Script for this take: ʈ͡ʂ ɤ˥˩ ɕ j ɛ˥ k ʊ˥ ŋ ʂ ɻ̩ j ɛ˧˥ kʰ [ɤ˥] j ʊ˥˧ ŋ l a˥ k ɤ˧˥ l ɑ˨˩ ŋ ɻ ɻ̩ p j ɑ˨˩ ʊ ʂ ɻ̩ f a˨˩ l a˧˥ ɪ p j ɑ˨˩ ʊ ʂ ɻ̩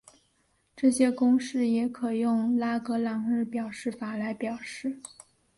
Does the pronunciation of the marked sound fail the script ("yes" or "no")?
yes